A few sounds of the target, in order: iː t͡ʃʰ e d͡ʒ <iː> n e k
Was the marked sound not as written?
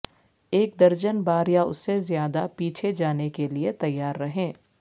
yes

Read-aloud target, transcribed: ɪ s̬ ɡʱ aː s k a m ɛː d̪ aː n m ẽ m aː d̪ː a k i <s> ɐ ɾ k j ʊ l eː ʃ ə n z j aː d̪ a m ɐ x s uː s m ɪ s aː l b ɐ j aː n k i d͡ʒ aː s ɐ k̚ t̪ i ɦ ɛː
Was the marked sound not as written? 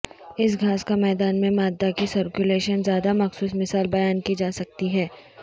no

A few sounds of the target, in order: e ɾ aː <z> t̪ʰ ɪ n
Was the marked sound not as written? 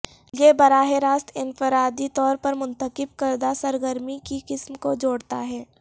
yes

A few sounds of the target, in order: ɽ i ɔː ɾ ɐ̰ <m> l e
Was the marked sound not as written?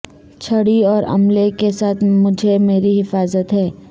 no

